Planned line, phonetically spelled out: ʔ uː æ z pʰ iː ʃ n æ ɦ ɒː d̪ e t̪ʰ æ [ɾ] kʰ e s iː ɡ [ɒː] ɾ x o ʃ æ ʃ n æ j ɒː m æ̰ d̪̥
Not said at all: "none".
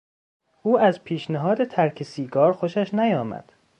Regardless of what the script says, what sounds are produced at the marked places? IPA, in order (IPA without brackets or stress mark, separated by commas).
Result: ɾ, ɒː